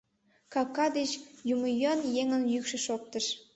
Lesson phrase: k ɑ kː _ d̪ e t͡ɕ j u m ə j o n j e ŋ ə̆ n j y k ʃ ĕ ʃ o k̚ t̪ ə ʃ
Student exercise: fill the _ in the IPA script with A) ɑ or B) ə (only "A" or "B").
A